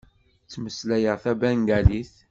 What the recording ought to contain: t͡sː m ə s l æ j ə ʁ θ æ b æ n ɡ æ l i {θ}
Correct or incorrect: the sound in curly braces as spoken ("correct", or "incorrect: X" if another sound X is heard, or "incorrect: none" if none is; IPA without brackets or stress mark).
correct